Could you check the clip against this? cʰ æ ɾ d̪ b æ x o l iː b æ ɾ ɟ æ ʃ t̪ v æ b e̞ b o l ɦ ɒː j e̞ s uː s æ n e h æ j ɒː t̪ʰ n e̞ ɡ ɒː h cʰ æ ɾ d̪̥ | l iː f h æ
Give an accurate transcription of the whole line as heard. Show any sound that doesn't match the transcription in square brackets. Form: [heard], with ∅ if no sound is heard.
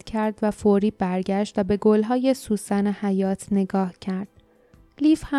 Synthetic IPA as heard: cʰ æ ɾ d̪ [v] æ [f] o [ɾ] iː b æ ɾ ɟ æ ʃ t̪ v æ b e̞ [ɡ] o l ɦ ɒː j e̞ s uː s æ n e h æ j ɒː t̪ʰ n e̞ ɡ ɒː h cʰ æ ɾ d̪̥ | l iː f h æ